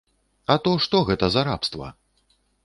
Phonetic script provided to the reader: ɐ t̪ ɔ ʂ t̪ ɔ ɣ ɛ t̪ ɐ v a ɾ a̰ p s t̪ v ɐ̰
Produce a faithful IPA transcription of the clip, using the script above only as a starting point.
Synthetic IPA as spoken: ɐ t̪ ɔ ʂ t̪ ɔ ɣ ɛ t̪ ɐ z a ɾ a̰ p s t̪ v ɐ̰